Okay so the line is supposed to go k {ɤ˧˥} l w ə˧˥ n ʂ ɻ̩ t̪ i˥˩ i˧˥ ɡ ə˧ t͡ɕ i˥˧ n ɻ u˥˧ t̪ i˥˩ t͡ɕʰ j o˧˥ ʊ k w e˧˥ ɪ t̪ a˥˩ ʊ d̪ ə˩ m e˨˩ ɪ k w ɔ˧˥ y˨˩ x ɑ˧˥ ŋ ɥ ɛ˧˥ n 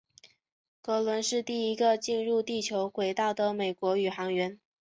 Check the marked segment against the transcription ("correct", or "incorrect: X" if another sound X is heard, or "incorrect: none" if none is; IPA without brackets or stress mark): correct